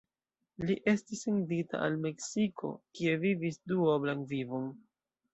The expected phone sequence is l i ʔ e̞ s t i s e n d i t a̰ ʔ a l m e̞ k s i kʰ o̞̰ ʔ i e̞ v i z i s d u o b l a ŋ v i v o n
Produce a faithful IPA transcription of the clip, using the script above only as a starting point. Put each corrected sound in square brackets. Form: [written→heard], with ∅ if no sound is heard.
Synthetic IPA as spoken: l i ʔ e̞ s t i s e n d i t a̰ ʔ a l m e̞ k s i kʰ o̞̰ [ʔ→k] i e̞ v i [z→v] i s d u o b l a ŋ v i v o n